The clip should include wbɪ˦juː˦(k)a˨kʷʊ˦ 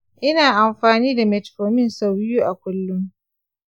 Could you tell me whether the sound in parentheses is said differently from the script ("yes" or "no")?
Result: yes